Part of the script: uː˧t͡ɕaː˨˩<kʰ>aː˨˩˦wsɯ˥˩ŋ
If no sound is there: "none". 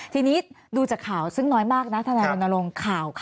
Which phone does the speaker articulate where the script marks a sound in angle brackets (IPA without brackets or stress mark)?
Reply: kʰ